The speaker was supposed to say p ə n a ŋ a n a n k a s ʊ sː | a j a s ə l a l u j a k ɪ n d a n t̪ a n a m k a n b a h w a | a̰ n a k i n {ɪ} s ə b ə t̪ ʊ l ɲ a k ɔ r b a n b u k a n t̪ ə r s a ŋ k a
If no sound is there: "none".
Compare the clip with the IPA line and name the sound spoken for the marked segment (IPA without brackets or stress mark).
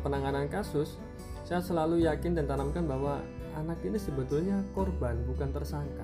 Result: i